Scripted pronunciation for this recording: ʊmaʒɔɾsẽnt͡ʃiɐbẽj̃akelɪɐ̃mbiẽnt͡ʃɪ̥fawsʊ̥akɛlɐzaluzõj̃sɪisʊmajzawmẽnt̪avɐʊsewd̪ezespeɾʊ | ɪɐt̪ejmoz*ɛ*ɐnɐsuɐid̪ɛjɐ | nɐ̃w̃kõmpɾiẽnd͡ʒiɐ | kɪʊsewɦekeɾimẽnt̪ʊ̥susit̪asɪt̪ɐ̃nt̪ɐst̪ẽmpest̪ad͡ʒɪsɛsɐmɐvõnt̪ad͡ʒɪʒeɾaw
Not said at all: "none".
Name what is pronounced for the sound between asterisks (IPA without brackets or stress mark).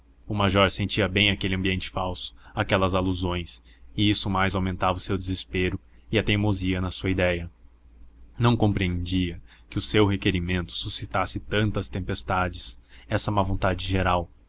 i